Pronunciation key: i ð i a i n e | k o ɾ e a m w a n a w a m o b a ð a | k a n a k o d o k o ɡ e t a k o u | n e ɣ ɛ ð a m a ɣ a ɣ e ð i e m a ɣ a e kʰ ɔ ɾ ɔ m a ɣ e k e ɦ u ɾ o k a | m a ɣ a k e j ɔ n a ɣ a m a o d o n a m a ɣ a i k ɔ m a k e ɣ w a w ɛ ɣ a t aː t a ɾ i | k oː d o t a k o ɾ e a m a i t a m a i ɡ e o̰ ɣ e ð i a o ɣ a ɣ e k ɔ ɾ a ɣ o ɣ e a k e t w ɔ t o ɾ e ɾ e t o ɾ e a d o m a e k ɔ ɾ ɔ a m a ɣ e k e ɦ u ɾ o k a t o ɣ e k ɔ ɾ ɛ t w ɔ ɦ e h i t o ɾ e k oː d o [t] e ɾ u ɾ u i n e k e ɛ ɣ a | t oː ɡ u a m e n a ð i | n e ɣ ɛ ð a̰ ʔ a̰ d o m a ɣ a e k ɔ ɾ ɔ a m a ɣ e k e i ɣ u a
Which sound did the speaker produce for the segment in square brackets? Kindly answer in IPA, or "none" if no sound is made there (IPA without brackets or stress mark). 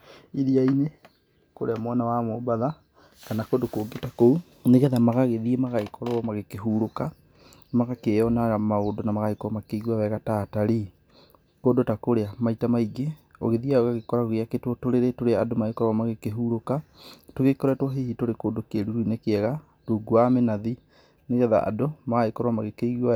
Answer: k